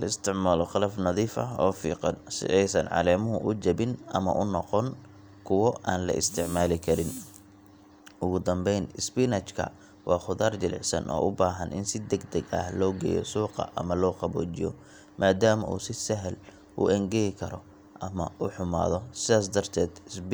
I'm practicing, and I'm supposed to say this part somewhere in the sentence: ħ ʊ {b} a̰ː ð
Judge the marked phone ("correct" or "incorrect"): incorrect